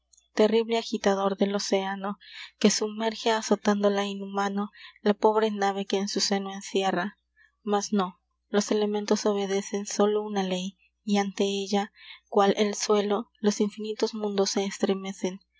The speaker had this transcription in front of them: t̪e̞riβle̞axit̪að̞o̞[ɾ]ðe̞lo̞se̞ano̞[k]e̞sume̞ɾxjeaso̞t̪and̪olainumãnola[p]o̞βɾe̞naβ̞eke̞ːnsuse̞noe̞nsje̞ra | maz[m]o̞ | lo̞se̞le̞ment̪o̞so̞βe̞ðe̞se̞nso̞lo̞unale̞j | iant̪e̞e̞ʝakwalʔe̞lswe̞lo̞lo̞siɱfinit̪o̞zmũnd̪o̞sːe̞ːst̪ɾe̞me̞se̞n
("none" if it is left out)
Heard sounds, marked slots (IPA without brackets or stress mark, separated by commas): ɾ, k, p, n